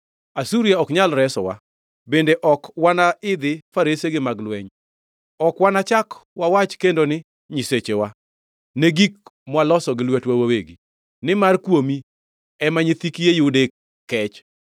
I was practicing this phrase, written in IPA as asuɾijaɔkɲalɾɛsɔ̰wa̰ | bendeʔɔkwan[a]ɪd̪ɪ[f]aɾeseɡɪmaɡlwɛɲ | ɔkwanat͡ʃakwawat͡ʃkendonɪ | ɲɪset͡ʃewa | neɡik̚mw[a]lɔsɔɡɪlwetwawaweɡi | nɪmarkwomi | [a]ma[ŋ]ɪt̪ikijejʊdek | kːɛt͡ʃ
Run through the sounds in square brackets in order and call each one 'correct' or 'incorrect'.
correct, correct, correct, incorrect: ɛ, incorrect: ɲ

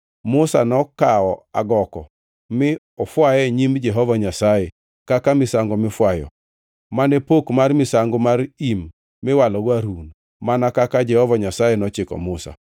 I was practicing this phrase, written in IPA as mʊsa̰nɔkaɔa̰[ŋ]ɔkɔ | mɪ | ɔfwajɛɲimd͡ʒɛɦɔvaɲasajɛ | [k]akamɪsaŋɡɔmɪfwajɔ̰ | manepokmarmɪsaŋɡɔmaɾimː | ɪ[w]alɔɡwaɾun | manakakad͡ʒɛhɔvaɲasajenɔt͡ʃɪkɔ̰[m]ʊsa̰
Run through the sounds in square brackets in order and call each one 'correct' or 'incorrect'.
incorrect: ɡ, correct, correct, correct

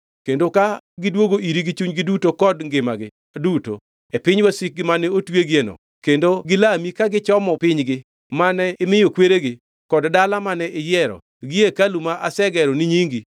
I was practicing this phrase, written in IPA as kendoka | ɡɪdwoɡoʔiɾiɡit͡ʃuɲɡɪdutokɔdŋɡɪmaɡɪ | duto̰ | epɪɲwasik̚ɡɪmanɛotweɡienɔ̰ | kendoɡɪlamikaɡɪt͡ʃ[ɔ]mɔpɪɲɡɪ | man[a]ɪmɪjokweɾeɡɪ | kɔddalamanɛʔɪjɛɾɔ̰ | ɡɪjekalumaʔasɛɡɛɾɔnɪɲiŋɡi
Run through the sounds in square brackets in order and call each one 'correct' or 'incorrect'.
correct, incorrect: ɛ

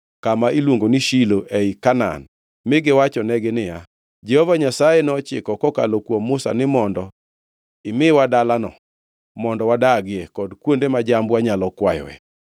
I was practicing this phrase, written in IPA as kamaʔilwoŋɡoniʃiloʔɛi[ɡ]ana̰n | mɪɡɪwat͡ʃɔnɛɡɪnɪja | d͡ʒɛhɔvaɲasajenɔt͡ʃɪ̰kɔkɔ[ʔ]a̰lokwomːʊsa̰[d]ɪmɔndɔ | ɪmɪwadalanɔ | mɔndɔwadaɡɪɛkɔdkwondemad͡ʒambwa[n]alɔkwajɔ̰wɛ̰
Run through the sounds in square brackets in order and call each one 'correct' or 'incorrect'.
incorrect: k, incorrect: k, incorrect: n, incorrect: ɲ

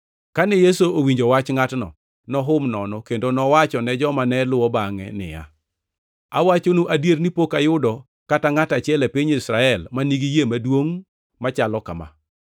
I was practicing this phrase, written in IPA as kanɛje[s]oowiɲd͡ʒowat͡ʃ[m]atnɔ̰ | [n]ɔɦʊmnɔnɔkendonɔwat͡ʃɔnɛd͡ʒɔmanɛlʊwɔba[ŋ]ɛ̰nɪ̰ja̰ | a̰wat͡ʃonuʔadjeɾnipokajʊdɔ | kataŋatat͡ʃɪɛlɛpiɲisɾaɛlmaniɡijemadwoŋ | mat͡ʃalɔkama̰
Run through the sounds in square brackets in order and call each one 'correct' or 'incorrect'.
correct, incorrect: ŋ, correct, correct

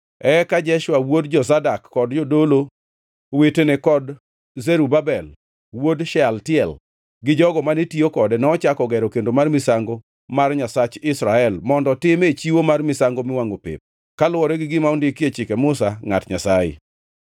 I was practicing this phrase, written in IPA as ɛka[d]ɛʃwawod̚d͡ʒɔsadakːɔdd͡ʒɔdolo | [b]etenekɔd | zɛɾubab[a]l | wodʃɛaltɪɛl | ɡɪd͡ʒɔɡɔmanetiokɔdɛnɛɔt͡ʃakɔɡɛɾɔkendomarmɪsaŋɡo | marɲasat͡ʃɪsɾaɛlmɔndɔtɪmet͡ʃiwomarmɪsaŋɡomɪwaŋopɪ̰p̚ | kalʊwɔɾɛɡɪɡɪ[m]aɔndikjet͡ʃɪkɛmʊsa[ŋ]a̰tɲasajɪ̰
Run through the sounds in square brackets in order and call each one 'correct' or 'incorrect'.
incorrect: d͡ʒ, incorrect: w, incorrect: ɛ, correct, correct

